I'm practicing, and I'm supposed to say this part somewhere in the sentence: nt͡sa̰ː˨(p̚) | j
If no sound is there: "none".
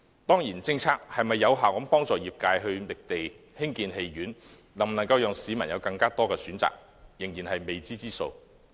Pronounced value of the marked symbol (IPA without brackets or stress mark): k̚